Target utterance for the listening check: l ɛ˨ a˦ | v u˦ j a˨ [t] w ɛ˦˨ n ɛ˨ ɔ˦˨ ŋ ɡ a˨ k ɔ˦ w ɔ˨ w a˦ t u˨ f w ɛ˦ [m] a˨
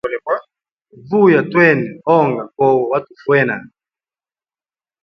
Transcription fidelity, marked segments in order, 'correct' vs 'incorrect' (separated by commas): correct, incorrect